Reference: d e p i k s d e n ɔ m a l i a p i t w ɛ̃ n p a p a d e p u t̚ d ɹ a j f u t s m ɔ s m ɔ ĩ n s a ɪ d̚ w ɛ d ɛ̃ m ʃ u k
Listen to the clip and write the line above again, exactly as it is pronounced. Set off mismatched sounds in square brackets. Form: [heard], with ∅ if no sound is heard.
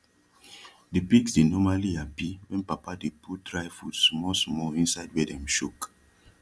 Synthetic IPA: d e p i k s d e n ɔ m a l i a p i [∅] w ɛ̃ n p a p a d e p u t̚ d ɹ a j f u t s m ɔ s m ɔ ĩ n s a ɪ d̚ w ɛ d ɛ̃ m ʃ u k